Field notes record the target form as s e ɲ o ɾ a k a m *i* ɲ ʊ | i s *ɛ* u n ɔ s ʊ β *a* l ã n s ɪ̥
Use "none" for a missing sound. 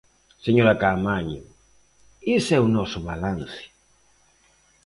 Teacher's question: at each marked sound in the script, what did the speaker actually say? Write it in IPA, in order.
a, ɛ, a

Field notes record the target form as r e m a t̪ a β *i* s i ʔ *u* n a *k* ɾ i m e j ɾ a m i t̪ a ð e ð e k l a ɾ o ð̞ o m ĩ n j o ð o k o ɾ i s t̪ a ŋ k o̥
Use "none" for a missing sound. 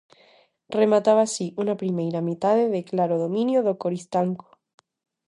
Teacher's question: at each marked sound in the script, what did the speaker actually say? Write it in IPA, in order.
a, u, p

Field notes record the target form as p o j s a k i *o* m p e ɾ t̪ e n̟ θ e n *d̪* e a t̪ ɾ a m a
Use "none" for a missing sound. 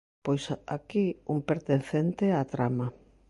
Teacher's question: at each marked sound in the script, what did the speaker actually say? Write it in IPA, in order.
u, t̪

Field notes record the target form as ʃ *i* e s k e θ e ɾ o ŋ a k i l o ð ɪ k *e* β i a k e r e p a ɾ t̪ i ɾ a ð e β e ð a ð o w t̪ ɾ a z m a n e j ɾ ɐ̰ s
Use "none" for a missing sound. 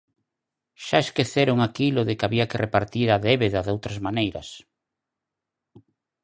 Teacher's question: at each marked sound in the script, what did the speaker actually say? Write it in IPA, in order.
a, a

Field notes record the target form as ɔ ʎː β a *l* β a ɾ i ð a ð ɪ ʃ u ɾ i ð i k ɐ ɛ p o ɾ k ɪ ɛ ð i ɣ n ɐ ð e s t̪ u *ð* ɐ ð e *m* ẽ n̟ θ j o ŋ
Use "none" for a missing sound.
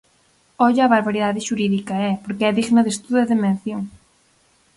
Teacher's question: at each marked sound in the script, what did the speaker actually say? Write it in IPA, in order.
ɾ, ð, m

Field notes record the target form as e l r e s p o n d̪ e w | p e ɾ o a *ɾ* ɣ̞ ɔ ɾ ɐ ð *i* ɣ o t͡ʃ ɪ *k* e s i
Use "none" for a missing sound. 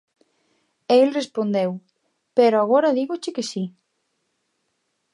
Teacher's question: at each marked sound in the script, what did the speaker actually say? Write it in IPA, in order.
none, i, k

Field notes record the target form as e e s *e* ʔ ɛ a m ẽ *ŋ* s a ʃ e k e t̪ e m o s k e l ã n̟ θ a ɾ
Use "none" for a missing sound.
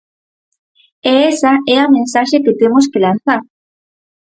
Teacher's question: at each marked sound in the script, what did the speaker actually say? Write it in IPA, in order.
a, n

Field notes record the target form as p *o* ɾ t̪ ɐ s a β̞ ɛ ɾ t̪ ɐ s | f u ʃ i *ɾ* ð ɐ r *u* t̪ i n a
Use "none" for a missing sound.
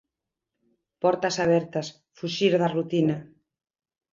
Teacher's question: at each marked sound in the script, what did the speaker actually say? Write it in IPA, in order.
ɔ, ɾ, u

